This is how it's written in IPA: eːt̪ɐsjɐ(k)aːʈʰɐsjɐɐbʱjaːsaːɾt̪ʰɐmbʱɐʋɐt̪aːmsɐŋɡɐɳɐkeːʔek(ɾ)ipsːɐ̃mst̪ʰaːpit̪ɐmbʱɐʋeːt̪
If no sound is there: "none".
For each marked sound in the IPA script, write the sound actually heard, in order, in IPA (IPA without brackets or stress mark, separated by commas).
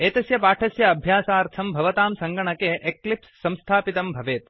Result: p, l